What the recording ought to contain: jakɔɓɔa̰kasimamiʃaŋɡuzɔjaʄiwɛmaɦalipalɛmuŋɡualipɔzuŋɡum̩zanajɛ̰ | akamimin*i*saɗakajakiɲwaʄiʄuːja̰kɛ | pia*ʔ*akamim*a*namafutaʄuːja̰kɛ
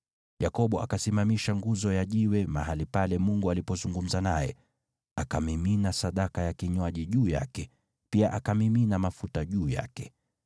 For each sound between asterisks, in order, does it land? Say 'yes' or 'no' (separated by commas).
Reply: no, yes, no